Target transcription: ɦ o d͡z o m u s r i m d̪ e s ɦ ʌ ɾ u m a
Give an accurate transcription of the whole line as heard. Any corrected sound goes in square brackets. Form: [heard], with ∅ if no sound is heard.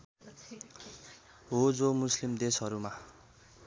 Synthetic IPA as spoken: ɦ o d͡z o m u s [l] i m d̪ e s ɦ ʌ ɾ u m a